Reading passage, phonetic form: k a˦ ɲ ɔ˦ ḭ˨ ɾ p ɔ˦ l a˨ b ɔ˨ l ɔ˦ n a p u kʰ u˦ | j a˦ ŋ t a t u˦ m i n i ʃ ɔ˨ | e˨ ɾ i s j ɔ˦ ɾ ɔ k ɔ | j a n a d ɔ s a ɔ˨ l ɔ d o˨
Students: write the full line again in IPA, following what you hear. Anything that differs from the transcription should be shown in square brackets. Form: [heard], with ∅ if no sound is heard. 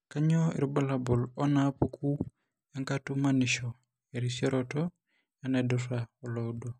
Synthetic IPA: k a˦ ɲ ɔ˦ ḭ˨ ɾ [b] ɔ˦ l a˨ b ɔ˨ l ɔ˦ n a p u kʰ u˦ | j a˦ ŋ [k] a t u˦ m [a] n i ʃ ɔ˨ | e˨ ɾ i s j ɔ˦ ɾ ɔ [t] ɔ | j a n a d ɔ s a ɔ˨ l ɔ d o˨